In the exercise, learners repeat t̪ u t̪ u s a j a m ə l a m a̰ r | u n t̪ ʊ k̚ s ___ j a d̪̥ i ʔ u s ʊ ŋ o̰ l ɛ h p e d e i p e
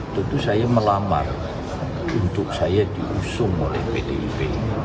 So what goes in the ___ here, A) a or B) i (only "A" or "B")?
A